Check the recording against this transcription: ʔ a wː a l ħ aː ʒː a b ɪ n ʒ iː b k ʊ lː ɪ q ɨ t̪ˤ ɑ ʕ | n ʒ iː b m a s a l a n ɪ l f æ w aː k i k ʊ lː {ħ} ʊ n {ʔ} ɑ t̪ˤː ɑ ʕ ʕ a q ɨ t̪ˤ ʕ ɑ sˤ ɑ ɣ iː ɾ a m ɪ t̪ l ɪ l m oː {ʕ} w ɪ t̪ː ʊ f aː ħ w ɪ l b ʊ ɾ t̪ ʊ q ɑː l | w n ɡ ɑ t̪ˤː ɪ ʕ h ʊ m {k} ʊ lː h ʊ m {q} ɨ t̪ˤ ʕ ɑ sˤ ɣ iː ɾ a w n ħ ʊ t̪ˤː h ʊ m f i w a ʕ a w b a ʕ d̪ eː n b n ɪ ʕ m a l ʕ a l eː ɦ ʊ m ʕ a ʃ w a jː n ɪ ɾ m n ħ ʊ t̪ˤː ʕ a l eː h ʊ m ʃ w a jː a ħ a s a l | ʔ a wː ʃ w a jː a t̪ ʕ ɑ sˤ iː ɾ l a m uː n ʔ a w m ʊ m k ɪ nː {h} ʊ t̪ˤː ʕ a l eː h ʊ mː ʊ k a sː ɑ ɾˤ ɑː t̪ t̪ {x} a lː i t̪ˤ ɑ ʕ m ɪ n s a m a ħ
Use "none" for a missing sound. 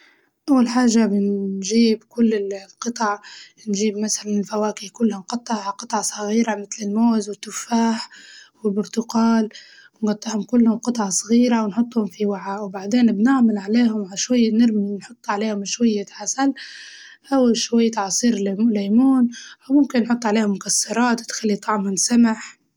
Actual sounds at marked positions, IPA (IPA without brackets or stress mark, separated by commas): h, q, z, k, q, ħ, x